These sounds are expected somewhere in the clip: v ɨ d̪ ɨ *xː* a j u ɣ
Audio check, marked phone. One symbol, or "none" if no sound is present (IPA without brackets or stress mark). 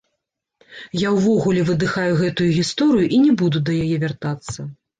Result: x